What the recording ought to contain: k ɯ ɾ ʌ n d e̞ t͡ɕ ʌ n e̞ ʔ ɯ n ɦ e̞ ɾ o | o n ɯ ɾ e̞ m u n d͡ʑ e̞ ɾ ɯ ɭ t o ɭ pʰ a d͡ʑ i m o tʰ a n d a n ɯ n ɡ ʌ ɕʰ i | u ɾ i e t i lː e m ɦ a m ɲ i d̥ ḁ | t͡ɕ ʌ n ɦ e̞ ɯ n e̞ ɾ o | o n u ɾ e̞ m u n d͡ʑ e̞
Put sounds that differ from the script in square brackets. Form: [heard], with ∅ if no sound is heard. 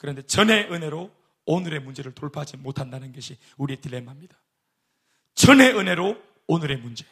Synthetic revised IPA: k ɯ ɾ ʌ n d e̞ t͡ɕ ʌ n e̞ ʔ ɯ n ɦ e̞ ɾ o | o n ɯ ɾ e̞ m u n d͡ʑ e̞ ɾ ɯ ɭ t o ɭ pʰ a d͡ʑ i m o tʰ a n d a n ɯ n ɡ ʌ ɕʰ i | u ɾ i e t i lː e m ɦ a m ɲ i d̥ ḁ | t͡ɕ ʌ n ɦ e̞ ɯ n e̞ ɾ o | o n [ɯ] ɾ e̞ m u n d͡ʑ e̞